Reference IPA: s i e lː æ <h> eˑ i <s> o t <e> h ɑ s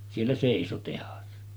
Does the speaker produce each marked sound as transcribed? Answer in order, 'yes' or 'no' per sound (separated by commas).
no, yes, yes